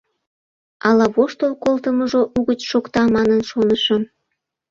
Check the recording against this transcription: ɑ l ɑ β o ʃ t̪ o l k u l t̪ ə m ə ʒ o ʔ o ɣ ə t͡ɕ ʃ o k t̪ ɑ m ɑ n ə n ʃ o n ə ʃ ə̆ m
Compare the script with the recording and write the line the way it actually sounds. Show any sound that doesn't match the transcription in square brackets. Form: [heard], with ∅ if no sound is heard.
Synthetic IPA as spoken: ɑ l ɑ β o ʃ t̪ o l k [o] l t̪ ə m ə ʒ o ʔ [u] ɣ ə t͡ɕ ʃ o k t̪ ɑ m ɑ n ə n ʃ o n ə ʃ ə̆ m